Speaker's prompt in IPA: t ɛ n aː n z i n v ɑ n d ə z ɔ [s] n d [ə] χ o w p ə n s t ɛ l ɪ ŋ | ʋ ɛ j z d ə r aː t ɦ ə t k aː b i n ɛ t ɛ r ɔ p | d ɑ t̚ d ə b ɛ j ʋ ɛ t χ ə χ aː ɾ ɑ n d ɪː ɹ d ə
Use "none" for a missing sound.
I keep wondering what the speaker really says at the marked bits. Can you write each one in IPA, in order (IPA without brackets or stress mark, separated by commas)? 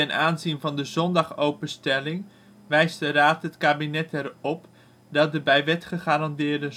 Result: none, ɑ